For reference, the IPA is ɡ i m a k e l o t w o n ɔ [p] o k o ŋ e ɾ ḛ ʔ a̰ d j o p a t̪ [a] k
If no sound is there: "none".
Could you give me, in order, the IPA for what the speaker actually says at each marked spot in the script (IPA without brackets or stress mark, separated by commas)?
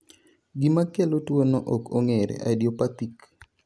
ʔ, i